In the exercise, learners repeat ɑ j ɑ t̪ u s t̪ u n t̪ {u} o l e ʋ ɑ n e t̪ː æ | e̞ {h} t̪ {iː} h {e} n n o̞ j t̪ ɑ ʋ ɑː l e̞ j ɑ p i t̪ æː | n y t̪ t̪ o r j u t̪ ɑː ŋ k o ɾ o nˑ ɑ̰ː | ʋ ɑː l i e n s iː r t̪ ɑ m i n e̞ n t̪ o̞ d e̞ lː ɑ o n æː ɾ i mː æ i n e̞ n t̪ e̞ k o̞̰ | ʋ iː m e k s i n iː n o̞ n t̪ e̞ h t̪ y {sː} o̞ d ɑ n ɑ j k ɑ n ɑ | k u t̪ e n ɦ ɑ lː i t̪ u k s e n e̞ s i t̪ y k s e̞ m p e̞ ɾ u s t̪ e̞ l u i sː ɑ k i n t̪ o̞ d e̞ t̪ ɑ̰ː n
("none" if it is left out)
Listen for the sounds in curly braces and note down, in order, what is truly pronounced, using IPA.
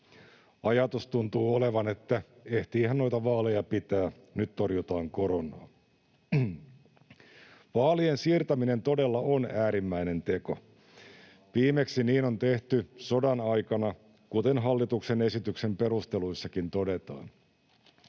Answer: uː, h, iː, æ, s

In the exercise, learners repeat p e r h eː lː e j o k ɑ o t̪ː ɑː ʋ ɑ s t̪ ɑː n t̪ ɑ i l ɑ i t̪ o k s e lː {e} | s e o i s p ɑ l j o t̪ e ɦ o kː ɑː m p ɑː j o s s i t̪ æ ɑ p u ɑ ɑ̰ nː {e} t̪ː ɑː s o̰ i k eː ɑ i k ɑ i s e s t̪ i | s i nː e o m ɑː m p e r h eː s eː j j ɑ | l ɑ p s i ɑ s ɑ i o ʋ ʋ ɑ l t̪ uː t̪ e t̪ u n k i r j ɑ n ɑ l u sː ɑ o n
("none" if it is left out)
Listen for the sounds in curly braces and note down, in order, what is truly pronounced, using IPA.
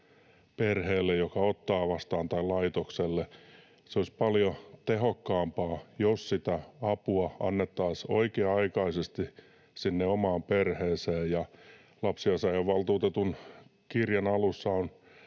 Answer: e, e

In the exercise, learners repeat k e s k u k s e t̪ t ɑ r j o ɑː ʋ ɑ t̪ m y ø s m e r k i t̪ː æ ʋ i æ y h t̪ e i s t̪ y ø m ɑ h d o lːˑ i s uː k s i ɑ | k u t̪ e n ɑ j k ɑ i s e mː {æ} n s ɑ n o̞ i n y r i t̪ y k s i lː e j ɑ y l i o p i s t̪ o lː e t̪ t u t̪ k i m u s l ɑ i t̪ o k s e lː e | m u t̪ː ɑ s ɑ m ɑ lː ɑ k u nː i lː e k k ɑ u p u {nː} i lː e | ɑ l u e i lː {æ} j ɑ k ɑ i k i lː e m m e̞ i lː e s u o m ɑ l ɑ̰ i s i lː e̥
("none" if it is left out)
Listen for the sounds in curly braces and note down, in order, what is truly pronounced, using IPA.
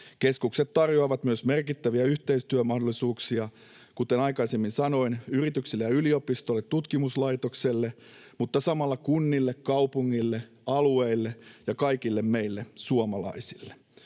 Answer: i, ŋː, e

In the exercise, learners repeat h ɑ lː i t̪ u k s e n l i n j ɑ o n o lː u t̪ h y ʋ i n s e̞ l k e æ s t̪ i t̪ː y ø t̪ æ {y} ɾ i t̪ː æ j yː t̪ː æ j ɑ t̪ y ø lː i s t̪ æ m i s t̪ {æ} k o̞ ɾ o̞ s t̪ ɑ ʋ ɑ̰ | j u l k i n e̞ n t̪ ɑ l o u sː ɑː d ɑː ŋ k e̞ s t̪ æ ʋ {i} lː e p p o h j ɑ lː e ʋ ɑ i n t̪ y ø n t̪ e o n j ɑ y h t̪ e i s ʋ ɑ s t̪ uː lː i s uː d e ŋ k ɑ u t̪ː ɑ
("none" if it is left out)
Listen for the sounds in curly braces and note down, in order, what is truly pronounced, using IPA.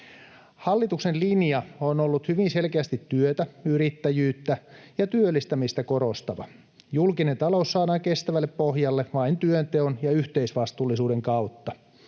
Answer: y, æ, æ

